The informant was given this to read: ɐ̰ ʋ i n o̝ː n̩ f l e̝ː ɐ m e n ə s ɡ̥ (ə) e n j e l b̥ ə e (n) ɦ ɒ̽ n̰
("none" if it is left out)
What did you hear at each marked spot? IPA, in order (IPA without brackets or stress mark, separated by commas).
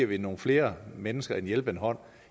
ɐ, n